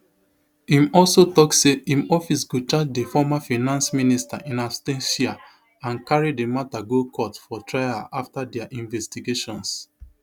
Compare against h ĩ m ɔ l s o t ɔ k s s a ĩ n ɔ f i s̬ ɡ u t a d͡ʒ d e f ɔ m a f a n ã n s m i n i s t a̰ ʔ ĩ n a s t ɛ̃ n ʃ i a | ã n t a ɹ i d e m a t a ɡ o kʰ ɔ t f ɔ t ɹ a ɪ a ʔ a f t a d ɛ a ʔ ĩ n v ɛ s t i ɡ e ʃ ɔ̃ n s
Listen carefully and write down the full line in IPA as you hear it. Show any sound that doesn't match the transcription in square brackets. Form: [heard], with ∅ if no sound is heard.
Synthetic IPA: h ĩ m ɔ l s o t ɔ k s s [e] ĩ [m] ɔ f i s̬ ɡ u [t͡ʃ] a d͡ʒ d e f ɔ m a f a n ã n s m i n i s t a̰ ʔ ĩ n a s t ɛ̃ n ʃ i a | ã n [k] a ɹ i d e m a t a ɡ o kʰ ɔ t f ɔ t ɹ a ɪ a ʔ a f t a d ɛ a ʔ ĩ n v ɛ s t i ɡ e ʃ ɔ̃ n s